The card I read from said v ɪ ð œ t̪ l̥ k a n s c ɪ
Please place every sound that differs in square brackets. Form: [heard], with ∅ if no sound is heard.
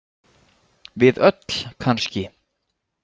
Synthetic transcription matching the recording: v ɪ ð œ t̪ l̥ [kʰ] a n s c ɪ